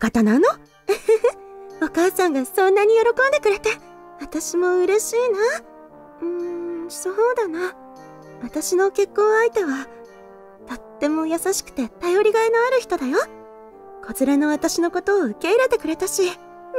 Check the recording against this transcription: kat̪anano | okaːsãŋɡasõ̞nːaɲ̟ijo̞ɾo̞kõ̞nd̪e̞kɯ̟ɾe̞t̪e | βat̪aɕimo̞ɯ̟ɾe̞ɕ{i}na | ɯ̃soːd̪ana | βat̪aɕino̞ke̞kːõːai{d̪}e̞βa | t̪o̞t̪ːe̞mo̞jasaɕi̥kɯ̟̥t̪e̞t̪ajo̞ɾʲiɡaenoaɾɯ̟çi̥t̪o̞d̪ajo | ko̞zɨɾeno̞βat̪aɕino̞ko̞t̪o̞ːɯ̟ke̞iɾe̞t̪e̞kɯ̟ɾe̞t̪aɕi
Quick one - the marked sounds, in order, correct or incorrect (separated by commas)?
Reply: incorrect, incorrect